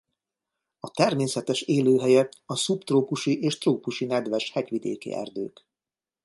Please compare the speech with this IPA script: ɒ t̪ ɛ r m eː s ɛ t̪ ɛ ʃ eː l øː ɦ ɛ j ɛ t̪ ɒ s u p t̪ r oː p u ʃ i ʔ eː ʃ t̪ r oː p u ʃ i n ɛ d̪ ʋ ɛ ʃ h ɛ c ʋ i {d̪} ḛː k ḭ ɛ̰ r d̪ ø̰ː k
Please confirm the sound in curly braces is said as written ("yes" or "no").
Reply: yes